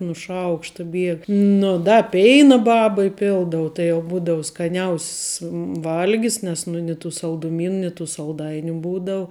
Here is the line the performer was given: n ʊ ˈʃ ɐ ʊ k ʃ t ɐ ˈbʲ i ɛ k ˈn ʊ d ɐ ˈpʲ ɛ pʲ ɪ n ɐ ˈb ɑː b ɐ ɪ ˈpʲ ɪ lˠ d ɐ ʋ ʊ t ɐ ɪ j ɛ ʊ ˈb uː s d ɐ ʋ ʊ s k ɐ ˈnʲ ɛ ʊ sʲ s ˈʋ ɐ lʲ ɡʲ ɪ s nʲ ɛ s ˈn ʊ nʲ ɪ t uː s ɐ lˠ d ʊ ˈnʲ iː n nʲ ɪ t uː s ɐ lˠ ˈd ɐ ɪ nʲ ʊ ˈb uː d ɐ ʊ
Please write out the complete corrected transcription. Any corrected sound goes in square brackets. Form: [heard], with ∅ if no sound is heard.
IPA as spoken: n ʊ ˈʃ ɐ ʊ k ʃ t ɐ ˈbʲ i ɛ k ˈn ʊ d ɐ ˈpʲ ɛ [∅] ɪ n ɐ ˈb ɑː b ɐ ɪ ˈpʲ ɪ lˠ d ɐ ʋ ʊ t ɐ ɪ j ɛ ʊ ˈb uː [∅] d ɐ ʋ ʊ s k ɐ ˈnʲ ɛ ʊ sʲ s ˈʋ ɐ lʲ ɡʲ ɪ s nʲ ɛ s ˈn ʊ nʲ ɪ t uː s ɐ lˠ d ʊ [ˈmʲ] iː n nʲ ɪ t uː s ɐ lˠ ˈd ɐ ɪ nʲ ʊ ˈb uː d ɐ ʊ